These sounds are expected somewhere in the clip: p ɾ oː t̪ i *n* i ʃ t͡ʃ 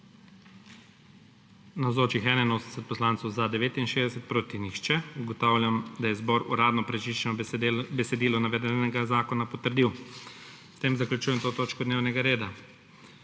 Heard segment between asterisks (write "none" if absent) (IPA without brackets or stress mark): n